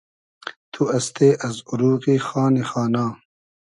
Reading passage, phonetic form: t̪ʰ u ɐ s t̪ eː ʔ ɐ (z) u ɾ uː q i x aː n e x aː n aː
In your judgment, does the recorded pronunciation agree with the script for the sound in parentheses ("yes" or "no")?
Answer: yes